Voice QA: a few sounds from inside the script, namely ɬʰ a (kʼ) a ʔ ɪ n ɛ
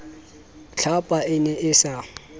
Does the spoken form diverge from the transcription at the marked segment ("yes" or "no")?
yes